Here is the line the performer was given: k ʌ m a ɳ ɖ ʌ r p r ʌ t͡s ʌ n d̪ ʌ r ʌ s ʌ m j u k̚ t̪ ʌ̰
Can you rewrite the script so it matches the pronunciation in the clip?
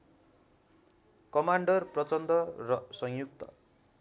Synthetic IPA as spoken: k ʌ m a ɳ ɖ ʌ r p r ʌ t͡s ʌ n d̪ ʌ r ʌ s ʌ ŋ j u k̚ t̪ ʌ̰

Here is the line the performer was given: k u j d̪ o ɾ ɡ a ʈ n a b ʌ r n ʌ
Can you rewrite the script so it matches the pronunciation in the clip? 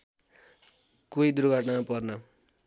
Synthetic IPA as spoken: k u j d̪ u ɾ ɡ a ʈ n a p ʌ r n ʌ

